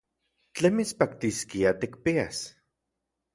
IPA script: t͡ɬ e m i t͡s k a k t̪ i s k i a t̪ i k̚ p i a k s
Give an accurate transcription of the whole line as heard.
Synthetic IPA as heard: t͡ɬ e m i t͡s p a k t̪ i s k i a t̪ i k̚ p i a s